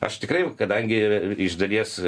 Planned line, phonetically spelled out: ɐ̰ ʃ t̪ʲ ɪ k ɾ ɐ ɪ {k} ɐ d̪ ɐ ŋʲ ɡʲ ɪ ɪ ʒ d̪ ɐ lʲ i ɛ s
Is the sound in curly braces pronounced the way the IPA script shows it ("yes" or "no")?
yes